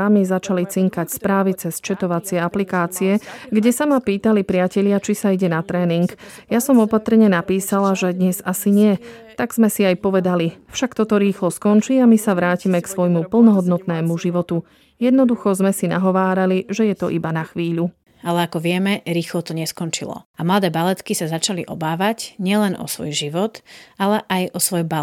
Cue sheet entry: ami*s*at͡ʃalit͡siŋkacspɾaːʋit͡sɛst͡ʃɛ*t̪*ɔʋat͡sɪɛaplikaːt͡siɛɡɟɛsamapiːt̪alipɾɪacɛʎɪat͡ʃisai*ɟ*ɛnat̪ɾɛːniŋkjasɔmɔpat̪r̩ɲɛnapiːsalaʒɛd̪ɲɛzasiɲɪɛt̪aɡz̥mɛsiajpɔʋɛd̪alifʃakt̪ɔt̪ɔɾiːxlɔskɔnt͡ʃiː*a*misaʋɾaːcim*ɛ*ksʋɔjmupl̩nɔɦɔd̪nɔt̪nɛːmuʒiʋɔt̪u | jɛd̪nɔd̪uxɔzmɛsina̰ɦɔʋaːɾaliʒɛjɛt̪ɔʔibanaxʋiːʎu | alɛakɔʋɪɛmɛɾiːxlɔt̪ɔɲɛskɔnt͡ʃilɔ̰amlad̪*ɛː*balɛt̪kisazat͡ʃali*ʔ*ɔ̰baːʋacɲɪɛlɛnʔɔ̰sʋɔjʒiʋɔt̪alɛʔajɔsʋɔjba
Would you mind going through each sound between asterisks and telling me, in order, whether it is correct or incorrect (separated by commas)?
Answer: incorrect, correct, correct, correct, correct, correct, correct